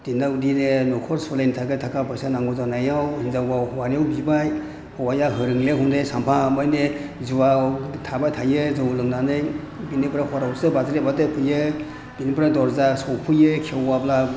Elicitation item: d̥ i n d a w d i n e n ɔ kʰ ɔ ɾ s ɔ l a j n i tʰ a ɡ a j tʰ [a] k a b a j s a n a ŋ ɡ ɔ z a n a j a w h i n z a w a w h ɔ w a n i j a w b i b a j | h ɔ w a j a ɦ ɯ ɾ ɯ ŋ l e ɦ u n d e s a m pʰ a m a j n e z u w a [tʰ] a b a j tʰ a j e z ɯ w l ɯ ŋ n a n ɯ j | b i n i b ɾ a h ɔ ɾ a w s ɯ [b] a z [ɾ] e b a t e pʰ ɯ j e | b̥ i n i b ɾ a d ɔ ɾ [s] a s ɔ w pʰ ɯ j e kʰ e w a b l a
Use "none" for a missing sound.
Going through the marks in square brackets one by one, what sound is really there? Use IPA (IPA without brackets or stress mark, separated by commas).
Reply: a, tʰ, b, ɾ, z